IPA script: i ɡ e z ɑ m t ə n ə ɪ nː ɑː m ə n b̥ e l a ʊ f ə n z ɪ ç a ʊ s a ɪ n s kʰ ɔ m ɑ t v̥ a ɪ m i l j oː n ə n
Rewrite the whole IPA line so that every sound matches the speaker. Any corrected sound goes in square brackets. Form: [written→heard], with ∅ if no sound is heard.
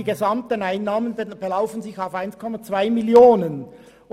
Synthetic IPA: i ɡ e z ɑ m t ə n [ə→a] ɪ nː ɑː m ə n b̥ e l a ʊ f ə n z ɪ ç a ʊ [s→f] a ɪ n s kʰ ɔ m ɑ [t→t͡s] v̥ a ɪ m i l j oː n ə n